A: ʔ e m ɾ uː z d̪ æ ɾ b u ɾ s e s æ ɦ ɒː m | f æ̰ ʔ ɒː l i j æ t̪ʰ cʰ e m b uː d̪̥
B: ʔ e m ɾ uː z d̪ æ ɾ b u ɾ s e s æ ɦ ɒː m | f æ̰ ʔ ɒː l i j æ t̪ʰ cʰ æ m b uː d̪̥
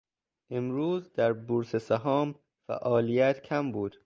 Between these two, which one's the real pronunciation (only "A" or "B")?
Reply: B